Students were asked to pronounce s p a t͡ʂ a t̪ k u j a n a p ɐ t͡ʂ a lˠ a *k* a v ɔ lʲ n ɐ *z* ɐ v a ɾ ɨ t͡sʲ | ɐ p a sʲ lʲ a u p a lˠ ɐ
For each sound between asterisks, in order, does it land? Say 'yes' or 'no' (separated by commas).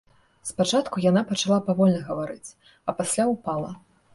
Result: no, no